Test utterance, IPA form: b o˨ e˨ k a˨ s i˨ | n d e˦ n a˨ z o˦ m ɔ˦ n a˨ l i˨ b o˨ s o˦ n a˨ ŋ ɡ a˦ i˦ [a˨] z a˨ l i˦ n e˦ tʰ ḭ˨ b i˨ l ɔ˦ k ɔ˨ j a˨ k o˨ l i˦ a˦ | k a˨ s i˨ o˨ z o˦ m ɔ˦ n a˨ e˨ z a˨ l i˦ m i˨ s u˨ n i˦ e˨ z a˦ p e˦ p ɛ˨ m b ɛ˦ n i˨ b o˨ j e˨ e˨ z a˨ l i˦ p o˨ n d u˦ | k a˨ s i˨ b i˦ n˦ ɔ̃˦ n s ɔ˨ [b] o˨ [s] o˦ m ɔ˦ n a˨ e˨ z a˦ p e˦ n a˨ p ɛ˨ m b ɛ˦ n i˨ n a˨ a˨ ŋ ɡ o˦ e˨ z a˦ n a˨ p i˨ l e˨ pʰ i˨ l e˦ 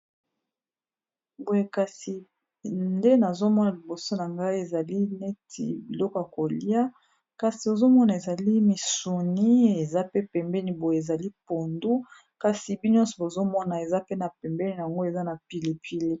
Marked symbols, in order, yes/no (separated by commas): no, yes, no